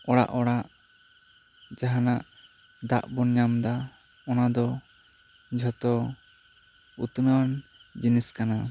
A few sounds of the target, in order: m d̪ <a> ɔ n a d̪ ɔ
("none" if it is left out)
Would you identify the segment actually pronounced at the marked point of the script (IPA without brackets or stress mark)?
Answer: a